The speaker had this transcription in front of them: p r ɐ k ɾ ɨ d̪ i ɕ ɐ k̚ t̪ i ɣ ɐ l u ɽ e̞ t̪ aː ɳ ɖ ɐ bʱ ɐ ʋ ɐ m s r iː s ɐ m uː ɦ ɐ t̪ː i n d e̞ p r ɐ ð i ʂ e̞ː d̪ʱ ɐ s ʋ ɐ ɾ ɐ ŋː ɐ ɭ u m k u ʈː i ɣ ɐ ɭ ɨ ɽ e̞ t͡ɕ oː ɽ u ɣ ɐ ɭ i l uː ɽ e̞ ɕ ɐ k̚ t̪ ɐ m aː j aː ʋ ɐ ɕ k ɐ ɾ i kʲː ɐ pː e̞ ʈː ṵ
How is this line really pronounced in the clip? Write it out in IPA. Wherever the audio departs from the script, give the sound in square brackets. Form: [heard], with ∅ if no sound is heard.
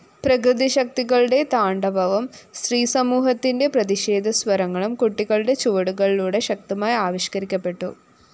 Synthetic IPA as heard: p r ɐ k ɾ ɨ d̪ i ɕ ɐ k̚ t̪ i ɣ ɐ [ɭ] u ɽ e̞ t̪ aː ɳ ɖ ɐ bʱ ɐ ʋ ɐ m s r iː s ɐ m uː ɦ ɐ t̪ː i n d e̞ p r ɐ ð i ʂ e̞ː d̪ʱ ɐ s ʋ ɐ ɾ ɐ ŋː ɐ ɭ u m k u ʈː i ɣ ɐ ɭ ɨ ɽ e̞ t͡ɕ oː ɽ u ɣ ɐ ɭ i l uː ɽ e̞ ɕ ɐ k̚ t̪ ɐ m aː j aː ʋ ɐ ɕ k ɐ ɾ i kʲː ɐ pː e̞ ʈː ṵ